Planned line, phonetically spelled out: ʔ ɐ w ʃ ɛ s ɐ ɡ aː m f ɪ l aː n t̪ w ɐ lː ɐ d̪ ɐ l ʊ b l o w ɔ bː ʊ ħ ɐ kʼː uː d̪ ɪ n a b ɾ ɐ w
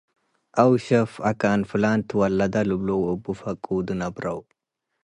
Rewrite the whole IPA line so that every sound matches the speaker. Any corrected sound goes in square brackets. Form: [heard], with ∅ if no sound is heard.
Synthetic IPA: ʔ ɐ w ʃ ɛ [f] ɐ [k] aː [n] f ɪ l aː n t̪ w ɐ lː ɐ d̪ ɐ l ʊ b l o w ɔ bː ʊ [f] ɐ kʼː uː d̪ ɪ n [ɐ] b ɾ ɐ w